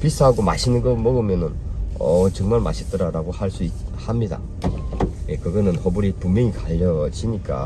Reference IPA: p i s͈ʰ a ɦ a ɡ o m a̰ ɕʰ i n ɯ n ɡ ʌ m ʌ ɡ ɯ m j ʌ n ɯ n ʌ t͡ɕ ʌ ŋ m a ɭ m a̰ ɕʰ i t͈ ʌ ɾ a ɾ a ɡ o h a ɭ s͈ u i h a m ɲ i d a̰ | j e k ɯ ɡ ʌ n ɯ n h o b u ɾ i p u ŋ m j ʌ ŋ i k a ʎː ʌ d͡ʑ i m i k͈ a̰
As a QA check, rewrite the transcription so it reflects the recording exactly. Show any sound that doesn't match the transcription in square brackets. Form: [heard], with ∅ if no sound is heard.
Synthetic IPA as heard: p i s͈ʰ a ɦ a ɡ o m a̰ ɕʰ i n ɯ n ɡ ʌ m ʌ ɡ ɯ m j ʌ n ɯ n ʌ t͡ɕ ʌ ŋ m a ɭ m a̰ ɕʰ i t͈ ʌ ɾ a ɾ a ɡ o h a ɭ s͈ u i h a m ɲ i d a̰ | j e k ɯ ɡ ʌ n ɯ n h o b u ɾ i p u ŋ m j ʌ ŋ i k a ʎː ʌ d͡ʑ i [ɲ] i k͈ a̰